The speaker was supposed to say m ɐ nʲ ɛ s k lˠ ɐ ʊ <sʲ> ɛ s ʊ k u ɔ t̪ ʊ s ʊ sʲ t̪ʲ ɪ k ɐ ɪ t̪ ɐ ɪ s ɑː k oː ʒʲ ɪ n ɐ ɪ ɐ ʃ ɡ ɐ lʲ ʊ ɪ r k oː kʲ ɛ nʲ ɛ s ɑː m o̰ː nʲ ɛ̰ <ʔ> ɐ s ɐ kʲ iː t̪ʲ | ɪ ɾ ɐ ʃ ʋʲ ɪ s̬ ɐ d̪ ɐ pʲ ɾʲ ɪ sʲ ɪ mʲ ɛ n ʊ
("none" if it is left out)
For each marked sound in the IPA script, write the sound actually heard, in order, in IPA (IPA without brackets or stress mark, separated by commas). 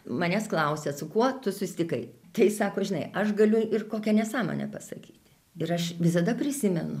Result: sʲ, p